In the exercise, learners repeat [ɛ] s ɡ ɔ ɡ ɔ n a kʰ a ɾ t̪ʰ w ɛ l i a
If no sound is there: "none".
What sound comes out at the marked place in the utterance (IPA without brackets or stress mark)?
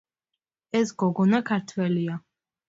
ɛ